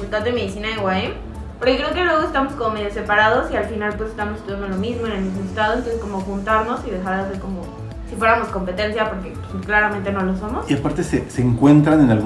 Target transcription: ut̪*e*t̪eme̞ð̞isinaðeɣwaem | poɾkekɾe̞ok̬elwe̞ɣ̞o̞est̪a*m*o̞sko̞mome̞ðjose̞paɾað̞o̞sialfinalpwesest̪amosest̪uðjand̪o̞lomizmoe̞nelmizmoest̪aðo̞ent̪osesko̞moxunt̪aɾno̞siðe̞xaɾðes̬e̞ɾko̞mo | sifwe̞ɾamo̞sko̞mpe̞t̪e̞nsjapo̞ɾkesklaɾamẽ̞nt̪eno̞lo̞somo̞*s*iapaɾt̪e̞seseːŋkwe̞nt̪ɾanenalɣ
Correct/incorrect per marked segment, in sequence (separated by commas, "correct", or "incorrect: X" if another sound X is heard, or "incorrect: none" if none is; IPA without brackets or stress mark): incorrect: a, correct, correct